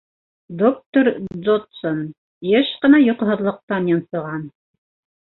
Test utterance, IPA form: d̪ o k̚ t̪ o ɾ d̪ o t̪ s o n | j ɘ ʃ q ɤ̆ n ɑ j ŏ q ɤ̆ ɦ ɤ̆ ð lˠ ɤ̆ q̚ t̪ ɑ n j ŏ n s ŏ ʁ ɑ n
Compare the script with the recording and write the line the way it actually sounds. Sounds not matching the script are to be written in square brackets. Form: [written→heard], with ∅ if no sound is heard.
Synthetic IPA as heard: d̪ o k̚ t̪ o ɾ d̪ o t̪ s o n | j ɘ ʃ q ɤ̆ n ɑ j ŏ q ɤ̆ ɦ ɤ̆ ð lˠ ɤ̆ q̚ t̪ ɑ n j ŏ n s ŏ ʁ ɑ n

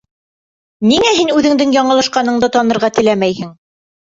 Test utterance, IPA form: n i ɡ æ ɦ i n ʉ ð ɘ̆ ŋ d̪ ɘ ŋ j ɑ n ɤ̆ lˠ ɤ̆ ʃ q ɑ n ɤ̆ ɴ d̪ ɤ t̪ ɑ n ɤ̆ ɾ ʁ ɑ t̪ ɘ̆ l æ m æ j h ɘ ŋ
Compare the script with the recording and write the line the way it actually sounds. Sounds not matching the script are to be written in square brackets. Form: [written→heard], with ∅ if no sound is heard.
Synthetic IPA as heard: n i [ɡ→ŋ] æ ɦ i n ʉ ð ɘ̆ ŋ d̪ ɘ ŋ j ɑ [n→ɴ] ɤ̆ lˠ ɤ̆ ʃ q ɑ n ɤ̆ ɴ d̪ ɤ t̪ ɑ n ɤ̆ ɾ ʁ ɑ t̪ ɘ̆ l æ m æ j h ɘ ŋ

